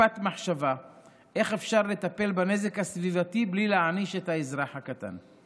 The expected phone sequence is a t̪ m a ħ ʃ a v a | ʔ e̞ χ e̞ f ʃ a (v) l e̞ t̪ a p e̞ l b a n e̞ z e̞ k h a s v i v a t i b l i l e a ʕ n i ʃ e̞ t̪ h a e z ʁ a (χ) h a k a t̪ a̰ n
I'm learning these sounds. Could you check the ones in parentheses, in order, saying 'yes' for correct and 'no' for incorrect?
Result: no, no

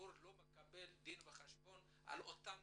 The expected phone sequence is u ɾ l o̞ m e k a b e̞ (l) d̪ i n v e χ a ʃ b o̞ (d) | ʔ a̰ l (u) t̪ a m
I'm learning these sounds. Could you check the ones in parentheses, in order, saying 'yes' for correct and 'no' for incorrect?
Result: yes, no, no

